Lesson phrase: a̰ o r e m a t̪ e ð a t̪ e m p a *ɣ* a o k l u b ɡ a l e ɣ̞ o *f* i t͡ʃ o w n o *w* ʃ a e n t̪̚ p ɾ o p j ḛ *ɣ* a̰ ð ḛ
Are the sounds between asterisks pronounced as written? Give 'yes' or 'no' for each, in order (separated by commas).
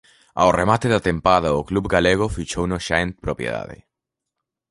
no, yes, no, no